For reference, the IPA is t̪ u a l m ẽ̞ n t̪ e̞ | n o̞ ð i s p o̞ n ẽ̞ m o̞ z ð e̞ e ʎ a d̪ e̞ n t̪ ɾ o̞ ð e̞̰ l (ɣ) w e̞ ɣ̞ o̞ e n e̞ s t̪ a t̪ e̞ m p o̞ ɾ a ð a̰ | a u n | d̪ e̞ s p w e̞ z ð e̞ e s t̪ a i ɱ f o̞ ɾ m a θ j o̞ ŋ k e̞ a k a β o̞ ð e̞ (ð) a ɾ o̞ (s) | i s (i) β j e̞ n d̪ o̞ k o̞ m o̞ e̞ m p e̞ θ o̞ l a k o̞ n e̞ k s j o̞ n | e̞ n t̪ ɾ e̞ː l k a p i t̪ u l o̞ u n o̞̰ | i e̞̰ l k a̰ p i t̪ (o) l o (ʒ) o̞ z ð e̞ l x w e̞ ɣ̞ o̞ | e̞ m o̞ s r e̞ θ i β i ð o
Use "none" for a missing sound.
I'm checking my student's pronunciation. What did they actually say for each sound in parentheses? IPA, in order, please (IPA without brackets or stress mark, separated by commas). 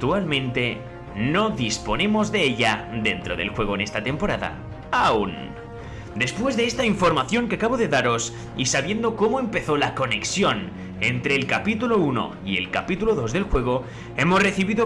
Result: x, ð, s, a, u, ð